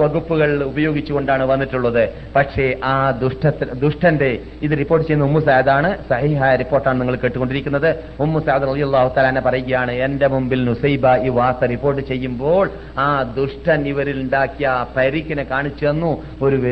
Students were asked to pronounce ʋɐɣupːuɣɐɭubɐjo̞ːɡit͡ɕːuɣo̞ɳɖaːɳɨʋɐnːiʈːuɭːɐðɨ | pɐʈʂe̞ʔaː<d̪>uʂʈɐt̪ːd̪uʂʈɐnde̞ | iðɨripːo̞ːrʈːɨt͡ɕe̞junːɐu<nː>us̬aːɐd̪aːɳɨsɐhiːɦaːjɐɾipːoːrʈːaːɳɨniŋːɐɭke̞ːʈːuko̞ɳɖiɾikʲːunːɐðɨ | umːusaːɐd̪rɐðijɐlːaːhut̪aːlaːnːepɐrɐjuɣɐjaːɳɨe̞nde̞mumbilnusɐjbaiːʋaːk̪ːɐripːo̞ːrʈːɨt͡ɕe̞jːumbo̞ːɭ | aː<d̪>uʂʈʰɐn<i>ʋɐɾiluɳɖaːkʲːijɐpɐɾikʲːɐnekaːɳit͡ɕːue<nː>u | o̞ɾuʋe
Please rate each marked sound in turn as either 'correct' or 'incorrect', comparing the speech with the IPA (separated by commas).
correct, incorrect, correct, correct, correct